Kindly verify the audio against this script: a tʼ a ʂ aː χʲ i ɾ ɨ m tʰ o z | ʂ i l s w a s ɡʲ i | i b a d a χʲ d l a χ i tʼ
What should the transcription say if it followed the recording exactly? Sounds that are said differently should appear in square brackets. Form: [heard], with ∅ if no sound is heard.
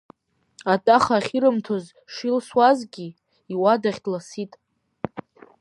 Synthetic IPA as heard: a tʼ a [χ] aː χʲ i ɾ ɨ m tʰ o z | ʂ i l s w a [z] ɡʲ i | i [w] a d a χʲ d l a [s] i tʼ